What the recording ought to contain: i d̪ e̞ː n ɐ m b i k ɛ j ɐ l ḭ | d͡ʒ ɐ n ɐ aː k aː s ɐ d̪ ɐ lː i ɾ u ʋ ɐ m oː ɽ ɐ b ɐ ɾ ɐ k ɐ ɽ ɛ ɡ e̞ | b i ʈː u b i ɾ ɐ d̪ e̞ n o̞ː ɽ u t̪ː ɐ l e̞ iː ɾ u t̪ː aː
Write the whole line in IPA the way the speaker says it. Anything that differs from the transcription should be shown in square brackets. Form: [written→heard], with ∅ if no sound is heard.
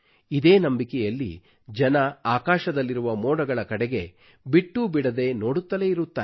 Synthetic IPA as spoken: i d̪ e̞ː n ɐ m b i k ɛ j ɐ [l→lː] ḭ | d͡ʒ ɐ n ɐ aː k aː [s→ʃ] ɐ d̪ ɐ lː i ɾ u ʋ ɐ m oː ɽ ɐ [b→ɡ] ɐ [ɾ→ɭ] ɐ k ɐ ɽ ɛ ɡ e̞ | b i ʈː u b i [ɾ→ɽ] ɐ d̪ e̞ n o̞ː ɽ u t̪ː ɐ l e̞ [iː→i] ɾ u t̪ː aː

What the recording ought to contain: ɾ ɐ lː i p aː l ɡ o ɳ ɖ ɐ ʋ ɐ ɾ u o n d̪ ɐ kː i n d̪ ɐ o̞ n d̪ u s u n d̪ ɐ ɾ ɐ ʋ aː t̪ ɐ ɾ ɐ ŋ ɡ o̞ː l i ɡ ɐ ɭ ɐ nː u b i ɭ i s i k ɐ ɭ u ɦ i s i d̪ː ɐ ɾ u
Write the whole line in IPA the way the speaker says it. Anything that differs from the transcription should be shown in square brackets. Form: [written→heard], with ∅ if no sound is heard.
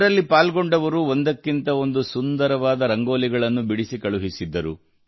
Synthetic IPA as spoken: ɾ ɐ lː i p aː l ɡ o ɳ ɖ ɐ ʋ ɐ ɾ u o n d̪ ɐ kː i n [d̪→t̪] ɐ o̞ n d̪ u s u n d̪ ɐ ɾ ɐ ʋ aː [t̪→d̪] ɐ ɾ ɐ ŋ ɡ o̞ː l i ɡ ɐ ɭ ɐ nː u b i [ɭ→ɽ] i s i k ɐ ɭ u ɦ i s i d̪ː ɐ ɾ u

